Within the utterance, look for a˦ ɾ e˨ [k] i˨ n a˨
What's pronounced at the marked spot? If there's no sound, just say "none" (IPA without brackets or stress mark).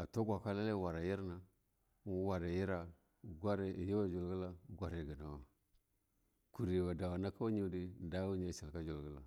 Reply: ɡ